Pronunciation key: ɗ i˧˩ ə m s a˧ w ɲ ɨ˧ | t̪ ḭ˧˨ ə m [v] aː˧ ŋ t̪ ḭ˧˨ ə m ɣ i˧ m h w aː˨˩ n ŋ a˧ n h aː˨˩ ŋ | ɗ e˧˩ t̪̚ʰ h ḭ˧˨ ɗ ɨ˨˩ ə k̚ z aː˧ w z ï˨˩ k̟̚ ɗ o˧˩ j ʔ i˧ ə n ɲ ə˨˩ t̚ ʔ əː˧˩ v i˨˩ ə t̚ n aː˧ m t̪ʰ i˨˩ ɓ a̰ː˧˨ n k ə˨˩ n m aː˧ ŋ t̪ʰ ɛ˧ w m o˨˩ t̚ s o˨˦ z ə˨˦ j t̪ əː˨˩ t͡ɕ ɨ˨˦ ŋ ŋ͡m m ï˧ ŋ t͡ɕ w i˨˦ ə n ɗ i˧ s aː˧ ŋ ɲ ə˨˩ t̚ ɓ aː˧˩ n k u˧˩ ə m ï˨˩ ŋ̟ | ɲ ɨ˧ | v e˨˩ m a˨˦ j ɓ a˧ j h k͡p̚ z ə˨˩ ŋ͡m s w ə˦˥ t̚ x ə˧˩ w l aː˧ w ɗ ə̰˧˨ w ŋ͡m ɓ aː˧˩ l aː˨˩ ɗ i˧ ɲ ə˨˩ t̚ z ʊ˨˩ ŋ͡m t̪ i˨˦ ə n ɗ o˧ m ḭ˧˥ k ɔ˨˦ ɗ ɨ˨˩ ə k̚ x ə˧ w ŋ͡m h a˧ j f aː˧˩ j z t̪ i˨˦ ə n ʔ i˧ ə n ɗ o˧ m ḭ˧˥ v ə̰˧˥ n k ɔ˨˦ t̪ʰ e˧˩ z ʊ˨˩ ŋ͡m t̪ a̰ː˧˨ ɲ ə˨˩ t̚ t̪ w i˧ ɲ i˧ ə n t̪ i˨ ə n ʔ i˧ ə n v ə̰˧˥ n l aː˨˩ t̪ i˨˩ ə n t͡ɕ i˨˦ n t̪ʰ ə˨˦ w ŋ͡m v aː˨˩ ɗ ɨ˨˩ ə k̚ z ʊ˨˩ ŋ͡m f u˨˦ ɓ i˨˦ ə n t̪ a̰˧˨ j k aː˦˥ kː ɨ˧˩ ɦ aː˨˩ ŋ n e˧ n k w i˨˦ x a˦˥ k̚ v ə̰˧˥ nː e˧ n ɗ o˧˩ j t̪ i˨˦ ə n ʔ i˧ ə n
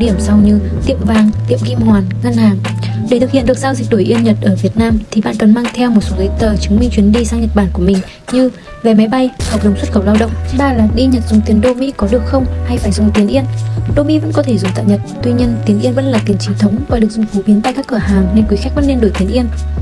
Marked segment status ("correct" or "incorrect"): correct